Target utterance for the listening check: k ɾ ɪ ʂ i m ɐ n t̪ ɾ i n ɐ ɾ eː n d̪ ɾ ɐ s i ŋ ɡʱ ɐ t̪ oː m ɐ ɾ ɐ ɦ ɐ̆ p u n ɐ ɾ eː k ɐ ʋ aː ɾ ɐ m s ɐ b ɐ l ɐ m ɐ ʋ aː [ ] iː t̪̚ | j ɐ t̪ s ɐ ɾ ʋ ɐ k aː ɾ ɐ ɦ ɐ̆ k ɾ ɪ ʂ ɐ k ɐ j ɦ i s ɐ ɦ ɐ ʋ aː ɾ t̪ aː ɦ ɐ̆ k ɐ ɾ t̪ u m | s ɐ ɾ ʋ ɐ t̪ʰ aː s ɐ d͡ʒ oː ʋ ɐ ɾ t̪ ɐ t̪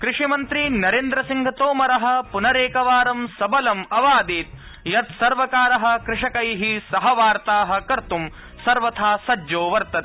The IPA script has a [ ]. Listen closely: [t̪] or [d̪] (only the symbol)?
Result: d̪